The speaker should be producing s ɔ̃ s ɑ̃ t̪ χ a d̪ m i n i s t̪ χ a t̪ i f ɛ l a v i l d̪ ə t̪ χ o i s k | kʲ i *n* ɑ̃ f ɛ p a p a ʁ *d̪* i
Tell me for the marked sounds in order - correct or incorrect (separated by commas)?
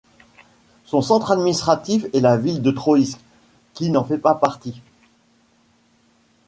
correct, incorrect